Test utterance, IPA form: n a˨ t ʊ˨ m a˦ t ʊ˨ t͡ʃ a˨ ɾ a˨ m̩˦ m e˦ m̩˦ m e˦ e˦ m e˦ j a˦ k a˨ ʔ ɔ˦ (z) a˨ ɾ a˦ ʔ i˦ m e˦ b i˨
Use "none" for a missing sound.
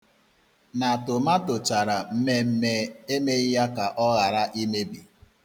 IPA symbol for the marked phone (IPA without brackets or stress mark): ɣ